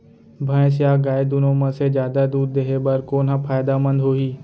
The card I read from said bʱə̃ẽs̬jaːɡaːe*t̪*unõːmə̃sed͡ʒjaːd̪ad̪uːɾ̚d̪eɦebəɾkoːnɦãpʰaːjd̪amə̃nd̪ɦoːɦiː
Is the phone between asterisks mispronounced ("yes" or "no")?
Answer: yes